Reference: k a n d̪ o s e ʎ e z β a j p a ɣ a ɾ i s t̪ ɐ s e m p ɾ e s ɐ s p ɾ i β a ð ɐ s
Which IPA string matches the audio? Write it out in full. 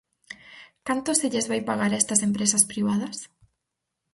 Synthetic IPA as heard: k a n t̪ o s e ʎ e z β a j p a ɣ a ɾ ɛ s t̪ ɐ s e m p ɾ e s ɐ s p ɾ i β a ð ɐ s